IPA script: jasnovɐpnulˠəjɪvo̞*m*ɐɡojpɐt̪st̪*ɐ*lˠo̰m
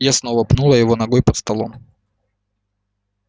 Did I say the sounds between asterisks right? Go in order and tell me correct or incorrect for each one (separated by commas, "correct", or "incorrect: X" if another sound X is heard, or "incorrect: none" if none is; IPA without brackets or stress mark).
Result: incorrect: n, correct